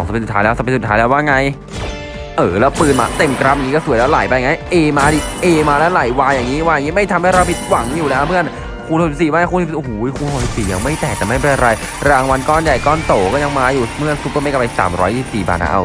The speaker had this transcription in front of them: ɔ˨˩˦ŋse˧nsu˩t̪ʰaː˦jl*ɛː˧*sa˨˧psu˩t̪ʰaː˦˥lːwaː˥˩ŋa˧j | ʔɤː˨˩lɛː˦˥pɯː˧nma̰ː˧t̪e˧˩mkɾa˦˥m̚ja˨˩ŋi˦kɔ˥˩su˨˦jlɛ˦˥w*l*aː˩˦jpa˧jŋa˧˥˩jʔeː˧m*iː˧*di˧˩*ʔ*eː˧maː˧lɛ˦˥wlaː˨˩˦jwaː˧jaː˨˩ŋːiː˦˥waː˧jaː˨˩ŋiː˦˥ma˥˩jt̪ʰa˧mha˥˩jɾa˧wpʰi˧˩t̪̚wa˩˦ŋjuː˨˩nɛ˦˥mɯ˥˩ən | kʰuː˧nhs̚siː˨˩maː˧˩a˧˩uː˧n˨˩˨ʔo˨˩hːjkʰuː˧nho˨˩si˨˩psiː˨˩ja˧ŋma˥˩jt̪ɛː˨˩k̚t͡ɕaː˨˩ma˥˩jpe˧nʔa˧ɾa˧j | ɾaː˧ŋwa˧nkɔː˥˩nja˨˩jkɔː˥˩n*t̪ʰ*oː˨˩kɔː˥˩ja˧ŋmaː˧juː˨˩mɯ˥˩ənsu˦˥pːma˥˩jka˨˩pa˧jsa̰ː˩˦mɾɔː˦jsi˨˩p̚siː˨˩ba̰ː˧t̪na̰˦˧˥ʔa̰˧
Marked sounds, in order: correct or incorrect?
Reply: incorrect, correct, incorrect, correct, incorrect

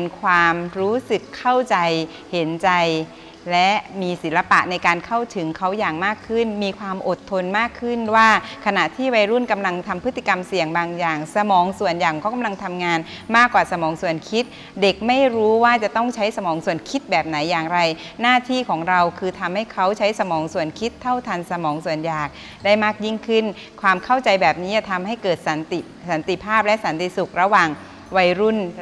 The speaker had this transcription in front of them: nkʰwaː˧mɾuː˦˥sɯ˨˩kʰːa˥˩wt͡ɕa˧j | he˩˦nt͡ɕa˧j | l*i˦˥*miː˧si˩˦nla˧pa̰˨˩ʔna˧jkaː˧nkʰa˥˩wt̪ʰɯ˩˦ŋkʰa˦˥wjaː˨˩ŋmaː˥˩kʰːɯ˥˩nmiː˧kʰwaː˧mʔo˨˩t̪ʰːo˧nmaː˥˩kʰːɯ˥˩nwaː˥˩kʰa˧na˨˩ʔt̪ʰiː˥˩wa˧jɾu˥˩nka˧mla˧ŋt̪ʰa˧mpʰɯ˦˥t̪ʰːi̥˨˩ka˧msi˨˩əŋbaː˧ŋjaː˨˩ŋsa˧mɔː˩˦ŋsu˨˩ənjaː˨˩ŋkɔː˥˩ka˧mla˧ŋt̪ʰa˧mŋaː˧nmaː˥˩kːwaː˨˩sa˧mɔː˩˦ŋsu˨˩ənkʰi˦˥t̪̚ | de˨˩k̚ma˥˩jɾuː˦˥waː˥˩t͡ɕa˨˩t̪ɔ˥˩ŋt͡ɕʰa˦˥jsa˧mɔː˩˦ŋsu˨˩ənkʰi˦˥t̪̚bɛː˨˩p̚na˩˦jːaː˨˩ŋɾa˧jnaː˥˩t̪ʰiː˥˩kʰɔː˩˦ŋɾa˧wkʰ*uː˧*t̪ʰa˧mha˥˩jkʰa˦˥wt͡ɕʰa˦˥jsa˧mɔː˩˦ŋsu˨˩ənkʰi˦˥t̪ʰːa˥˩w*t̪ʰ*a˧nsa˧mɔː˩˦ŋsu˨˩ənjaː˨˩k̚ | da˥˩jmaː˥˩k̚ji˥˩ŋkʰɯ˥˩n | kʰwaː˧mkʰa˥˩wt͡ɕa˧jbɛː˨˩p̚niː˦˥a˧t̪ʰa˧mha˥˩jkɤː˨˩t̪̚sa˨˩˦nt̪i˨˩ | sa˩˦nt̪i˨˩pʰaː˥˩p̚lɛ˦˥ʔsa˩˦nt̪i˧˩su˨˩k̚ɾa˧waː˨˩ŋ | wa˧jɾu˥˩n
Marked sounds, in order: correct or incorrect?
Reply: incorrect, incorrect, correct

